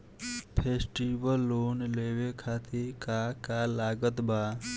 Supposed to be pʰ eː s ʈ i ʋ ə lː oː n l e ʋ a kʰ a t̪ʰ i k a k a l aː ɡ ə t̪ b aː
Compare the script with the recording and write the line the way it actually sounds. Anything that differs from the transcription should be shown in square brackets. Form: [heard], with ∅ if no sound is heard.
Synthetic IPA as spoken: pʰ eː s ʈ i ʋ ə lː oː n l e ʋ [e] kʰ a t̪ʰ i k a k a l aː ɡ ə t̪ b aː